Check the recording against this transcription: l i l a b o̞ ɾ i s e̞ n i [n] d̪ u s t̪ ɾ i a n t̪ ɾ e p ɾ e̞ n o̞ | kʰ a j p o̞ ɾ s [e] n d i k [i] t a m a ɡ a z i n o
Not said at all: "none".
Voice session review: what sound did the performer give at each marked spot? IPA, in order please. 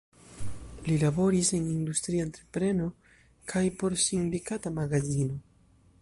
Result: n, i, a

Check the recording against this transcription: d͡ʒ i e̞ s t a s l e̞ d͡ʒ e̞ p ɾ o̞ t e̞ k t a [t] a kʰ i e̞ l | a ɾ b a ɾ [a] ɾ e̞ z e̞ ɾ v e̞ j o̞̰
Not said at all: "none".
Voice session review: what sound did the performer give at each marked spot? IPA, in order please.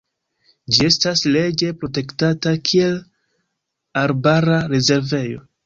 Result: t, a

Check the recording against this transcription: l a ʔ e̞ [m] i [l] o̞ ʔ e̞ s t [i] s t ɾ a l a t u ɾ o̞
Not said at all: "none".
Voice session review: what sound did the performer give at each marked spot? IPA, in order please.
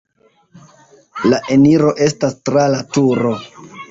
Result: n, ɾ, a

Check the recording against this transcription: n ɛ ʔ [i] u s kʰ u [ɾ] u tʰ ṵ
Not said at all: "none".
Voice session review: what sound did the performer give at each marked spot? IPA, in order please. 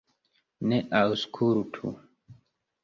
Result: a, ɾ

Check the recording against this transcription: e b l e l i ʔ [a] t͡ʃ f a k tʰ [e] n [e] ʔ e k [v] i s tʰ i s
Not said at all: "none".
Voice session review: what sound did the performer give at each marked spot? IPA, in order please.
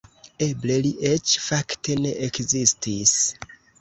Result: e, e, e, z

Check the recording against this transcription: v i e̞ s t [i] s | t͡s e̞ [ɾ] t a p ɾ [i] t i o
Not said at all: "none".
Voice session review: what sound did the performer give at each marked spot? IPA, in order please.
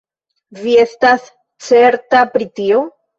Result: a, ɾ, i

